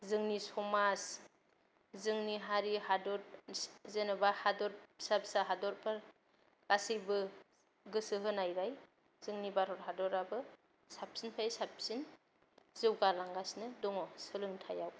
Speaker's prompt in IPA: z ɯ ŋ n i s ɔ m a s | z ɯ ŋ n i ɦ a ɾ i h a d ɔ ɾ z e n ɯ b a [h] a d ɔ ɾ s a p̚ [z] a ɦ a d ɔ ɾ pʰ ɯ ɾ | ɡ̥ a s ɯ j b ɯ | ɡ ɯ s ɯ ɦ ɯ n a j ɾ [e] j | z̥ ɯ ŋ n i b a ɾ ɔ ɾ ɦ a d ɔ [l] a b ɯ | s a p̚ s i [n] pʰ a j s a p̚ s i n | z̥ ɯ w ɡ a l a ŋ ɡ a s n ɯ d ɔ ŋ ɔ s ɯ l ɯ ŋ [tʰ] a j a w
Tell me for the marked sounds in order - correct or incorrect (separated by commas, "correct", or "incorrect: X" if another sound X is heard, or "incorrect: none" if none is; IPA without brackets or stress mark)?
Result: correct, incorrect: s, incorrect: a, incorrect: ɾ, correct, correct